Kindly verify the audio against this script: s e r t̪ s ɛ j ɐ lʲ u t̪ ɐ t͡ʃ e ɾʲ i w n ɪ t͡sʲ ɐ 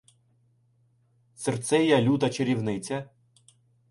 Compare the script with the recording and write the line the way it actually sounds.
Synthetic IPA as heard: s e r t̪ s ɛ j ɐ lʲ u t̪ ɐ t͡ʃ e ɾʲ i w n ɪ t͡sʲ ɐ